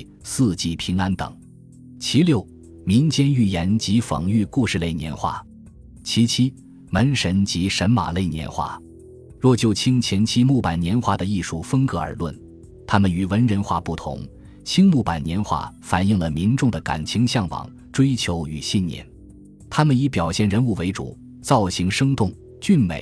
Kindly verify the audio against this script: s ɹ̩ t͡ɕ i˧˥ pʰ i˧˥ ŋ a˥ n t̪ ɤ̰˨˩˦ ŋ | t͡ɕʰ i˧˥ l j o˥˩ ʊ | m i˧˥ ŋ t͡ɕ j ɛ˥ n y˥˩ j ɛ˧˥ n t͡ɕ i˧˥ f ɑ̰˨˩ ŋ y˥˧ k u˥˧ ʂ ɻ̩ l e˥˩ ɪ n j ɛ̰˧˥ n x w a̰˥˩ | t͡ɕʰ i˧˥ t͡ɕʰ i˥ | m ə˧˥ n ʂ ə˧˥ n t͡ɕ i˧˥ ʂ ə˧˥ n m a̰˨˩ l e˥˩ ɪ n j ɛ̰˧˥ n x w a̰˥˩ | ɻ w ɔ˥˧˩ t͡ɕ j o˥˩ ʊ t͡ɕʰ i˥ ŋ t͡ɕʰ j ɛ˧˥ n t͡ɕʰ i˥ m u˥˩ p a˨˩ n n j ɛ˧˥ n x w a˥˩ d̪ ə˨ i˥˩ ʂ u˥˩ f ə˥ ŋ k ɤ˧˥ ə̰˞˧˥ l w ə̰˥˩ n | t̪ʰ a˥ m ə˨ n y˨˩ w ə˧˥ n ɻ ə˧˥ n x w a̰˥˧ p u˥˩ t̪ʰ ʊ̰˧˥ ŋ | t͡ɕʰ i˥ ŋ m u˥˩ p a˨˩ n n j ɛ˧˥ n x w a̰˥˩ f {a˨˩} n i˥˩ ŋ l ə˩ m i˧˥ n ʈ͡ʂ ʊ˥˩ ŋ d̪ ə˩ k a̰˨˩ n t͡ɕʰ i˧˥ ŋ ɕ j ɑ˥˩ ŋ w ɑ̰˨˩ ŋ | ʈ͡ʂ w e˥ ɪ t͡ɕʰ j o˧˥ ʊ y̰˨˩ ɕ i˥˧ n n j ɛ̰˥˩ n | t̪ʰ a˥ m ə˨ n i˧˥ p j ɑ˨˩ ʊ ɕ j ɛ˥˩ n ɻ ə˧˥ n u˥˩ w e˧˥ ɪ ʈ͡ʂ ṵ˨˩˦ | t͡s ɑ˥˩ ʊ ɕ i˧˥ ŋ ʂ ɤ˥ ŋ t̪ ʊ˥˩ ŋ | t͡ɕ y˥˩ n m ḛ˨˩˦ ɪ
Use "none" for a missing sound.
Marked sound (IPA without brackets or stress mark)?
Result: a˨˩